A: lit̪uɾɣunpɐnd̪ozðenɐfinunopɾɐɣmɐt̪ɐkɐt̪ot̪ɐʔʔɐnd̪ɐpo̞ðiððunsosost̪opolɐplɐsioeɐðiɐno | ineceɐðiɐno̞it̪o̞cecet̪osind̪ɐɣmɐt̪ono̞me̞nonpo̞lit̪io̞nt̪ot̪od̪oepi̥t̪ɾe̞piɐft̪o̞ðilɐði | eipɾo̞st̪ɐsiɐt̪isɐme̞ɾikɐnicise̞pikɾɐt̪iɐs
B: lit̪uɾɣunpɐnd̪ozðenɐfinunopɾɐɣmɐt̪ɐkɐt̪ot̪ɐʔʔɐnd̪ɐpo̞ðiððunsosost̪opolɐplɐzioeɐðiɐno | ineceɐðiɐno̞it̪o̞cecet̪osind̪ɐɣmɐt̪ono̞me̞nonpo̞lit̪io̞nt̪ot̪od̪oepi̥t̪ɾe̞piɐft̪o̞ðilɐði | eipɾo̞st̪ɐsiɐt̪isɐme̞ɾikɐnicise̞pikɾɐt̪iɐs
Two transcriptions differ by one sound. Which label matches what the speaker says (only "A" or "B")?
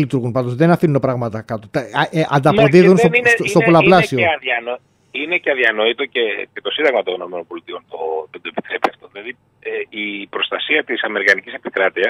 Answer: A